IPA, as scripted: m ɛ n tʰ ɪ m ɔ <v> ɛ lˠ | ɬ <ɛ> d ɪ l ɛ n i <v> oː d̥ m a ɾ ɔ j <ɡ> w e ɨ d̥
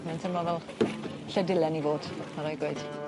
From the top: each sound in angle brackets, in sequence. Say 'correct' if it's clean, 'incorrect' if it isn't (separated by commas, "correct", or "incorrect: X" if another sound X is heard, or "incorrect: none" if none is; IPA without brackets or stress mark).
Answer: correct, correct, correct, correct